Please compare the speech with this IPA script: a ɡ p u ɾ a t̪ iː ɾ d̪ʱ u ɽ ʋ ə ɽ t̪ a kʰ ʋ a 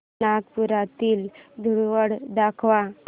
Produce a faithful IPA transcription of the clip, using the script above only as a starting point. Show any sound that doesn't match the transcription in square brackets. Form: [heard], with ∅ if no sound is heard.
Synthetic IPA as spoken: a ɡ p u ɾ a t̪ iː [l] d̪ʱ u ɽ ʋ ə ɽ [d̪] a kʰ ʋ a